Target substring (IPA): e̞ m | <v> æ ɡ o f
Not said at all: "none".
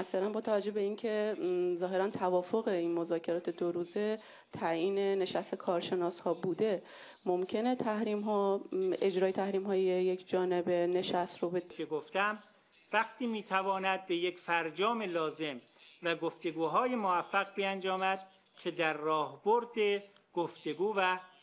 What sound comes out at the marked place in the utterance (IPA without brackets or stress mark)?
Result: v